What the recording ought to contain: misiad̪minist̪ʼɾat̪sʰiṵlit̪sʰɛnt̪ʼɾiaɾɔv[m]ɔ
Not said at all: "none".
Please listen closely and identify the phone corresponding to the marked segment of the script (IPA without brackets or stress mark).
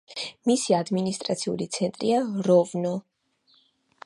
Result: n